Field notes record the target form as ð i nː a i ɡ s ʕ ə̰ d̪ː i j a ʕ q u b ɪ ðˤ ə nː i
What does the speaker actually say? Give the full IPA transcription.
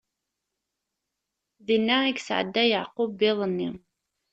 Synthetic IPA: ð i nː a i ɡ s ʕ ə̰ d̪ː æ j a ʕ q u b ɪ ðˤ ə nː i